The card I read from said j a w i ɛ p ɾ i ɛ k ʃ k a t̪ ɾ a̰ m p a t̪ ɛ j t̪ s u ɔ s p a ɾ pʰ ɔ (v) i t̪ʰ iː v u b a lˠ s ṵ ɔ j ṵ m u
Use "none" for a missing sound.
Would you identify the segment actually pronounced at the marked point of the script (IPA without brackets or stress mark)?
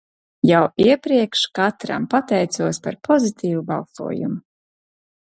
z